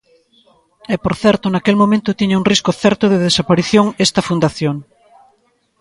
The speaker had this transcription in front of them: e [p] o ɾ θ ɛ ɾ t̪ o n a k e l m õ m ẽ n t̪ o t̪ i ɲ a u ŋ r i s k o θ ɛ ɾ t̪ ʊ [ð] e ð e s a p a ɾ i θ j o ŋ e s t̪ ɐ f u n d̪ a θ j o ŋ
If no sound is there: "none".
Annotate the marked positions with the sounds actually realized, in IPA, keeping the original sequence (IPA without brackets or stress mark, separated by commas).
p, ð